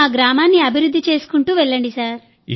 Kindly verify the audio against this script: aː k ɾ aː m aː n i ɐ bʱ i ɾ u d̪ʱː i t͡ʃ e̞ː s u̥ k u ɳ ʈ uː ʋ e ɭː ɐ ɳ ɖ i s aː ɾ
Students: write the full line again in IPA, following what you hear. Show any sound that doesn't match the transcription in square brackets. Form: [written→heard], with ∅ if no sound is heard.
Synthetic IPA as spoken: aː [k→ɡ] ɾ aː m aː [n→nː] i ɐ bʱ i ɾ u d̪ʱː i t͡ʃ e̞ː s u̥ k u ɳ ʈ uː ʋ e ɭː ɐ ɳ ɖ i s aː ɾ